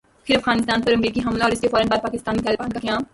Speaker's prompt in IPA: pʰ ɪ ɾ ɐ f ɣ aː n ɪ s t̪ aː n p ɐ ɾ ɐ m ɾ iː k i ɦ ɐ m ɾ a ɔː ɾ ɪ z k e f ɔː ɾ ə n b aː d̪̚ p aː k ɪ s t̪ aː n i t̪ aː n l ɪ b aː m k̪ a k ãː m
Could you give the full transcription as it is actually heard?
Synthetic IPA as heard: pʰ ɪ ɾ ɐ f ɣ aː n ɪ s t̪ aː n p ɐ ɾ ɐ m ɾ iː k i ɦ ɐ m l a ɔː ɾ ɪ s k e f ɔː ɾ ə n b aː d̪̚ p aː k ɪ s t̪ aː n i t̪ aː l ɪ b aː n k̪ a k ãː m